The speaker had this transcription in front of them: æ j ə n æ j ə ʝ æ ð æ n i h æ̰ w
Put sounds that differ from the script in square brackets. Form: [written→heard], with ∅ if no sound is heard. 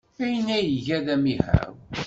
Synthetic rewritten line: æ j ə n æ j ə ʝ æ ð æ [n→m] i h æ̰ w